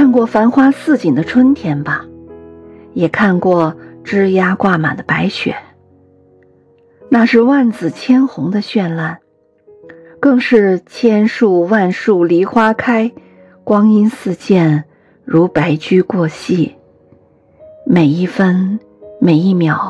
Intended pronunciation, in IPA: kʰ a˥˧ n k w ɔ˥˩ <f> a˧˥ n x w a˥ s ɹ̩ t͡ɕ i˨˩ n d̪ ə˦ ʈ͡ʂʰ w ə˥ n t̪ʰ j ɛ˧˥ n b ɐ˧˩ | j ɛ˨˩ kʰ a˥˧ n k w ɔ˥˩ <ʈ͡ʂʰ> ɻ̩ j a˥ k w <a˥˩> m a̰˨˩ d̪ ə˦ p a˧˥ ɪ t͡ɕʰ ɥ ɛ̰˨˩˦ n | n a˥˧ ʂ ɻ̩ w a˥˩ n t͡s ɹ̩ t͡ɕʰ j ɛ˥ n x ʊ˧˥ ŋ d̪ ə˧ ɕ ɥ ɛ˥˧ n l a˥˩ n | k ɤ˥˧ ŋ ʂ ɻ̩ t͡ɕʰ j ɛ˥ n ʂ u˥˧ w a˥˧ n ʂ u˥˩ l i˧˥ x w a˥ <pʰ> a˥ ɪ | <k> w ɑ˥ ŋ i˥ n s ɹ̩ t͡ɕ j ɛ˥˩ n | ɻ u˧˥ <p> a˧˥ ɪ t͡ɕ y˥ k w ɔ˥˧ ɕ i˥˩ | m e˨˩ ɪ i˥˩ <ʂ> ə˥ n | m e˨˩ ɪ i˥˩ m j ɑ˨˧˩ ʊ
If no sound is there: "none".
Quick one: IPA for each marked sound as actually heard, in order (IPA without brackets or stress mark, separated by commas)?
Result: f, ʈ͡ʂ, a˥˩, kʰ, k, p, f